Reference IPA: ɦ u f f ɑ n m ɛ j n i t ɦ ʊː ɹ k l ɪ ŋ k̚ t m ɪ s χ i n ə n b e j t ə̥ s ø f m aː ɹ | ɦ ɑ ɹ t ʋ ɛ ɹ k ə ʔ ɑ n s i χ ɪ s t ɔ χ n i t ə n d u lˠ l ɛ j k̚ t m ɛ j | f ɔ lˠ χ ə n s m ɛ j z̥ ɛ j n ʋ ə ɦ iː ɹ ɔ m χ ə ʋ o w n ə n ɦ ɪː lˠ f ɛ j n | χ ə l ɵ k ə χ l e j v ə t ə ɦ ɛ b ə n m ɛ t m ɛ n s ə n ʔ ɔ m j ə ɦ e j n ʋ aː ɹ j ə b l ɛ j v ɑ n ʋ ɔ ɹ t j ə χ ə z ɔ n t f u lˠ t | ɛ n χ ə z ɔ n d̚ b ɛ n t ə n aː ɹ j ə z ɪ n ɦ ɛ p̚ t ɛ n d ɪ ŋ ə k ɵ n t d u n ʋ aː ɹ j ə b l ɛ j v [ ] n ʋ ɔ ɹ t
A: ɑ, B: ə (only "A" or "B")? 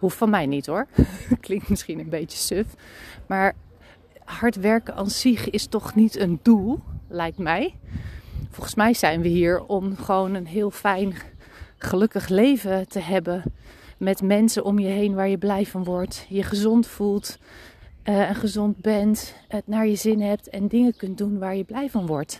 A